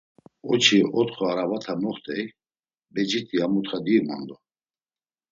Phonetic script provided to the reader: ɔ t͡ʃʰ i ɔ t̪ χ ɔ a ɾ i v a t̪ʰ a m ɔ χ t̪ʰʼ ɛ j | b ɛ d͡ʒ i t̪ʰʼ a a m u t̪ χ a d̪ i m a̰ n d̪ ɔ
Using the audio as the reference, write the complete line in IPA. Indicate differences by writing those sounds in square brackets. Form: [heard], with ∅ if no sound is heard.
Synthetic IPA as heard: ɔ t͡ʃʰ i ɔ t̪ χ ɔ a ɾ [a] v a t̪ʰ a m ɔ χ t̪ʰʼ ɛ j | b ɛ d͡ʒ i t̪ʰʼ [i] a m u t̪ χ a d̪ i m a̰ n d̪ ɔ